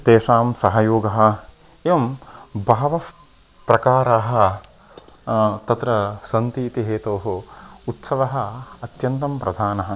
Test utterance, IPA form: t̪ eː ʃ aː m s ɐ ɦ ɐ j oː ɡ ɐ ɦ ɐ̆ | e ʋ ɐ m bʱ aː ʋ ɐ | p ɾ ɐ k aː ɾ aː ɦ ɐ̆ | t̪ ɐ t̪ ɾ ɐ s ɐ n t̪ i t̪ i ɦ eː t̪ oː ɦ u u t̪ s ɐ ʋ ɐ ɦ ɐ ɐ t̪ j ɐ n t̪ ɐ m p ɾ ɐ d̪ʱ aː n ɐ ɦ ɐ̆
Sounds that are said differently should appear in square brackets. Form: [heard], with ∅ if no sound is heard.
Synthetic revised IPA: t̪ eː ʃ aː m s ɐ ɦ ɐ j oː ɡ ɐ ɦ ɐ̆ | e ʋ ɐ m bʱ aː ʋ ɐ | p ɾ ɐ k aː ɾ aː ɦ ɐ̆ | t̪ ɐ t̪ ɾ ɐ s ɐ n t̪ [iː] t̪ i ɦ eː t̪ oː ɦ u u t̪ s ɐ ʋ ɐ ɦ ɐ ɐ t̪ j ɐ n t̪ ɐ m p ɾ ɐ d̪ʱ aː n ɐ ɦ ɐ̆